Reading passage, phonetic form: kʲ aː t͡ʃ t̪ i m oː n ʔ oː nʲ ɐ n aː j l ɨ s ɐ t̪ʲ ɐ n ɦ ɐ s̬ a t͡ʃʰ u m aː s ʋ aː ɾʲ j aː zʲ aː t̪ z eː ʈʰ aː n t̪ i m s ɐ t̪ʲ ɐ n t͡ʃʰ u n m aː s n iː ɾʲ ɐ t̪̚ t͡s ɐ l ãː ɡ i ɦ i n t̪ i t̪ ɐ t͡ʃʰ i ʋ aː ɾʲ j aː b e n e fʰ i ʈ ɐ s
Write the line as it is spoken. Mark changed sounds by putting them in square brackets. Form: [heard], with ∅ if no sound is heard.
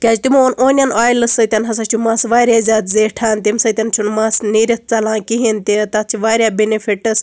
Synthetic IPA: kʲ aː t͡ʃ t̪ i m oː n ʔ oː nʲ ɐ n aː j l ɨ s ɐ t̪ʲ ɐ n ɦ ɐ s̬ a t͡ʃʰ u m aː s ʋ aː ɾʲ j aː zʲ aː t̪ z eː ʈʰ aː n t̪ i m s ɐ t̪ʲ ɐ n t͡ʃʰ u n m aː s n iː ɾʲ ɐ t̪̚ t͡s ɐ l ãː [k] i ɦ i n t̪ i t̪ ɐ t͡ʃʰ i ʋ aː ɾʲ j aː b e n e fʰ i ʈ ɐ s